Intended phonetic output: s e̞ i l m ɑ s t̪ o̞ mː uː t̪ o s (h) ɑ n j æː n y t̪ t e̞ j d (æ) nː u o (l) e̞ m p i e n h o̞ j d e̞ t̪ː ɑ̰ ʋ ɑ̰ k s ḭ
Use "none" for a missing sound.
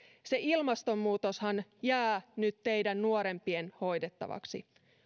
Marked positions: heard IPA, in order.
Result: h, æ, ɾ

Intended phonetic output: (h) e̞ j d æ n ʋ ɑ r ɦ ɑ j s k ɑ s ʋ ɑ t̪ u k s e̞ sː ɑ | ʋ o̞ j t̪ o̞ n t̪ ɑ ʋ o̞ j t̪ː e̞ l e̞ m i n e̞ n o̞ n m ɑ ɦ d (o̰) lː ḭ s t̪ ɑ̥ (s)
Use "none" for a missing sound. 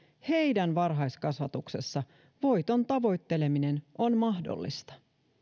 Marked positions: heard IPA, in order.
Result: h, o̰, none

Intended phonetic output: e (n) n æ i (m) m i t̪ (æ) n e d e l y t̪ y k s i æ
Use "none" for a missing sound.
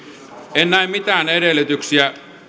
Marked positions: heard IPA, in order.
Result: n, m, æː

